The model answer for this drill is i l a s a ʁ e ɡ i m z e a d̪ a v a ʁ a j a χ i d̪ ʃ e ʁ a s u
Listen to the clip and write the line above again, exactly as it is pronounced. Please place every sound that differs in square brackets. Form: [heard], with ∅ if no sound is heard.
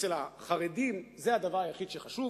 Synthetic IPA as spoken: [e] l a [χ] a ʁ e [d] i m z e a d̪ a v a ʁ a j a χ i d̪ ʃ e [χ] a [ʃ] u